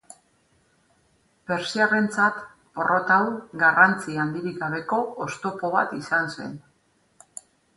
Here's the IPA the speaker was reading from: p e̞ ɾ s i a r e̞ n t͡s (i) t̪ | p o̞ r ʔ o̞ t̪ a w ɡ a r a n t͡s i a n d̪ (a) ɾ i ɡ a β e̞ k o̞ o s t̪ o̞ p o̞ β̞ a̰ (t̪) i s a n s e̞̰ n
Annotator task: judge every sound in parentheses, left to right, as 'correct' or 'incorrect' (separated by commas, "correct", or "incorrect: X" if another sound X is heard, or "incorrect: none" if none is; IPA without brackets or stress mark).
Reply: incorrect: a, incorrect: i, correct